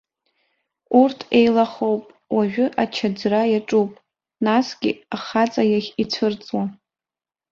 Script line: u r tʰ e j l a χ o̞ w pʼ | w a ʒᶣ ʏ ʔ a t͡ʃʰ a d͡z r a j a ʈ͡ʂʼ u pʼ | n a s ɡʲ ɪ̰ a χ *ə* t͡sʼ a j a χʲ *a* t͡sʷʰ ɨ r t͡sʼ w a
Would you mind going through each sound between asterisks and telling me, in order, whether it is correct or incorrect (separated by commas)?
incorrect, incorrect